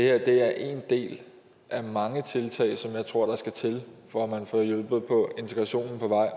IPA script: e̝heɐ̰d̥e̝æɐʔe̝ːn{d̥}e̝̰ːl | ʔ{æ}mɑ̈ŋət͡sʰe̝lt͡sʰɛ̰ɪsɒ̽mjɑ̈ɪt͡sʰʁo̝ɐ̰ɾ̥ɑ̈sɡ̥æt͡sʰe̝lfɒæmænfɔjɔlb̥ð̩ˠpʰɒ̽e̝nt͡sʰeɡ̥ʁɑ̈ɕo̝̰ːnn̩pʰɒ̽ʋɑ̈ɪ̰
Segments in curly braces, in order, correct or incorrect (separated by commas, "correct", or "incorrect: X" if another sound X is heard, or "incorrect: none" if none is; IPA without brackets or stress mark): correct, correct